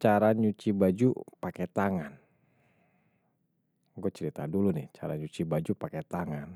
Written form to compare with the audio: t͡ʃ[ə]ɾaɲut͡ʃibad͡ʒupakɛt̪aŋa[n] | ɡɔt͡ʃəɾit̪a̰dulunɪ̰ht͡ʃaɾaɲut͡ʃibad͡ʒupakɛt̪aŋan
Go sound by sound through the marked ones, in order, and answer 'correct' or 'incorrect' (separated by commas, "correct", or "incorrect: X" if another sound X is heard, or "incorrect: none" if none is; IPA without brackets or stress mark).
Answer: incorrect: a, correct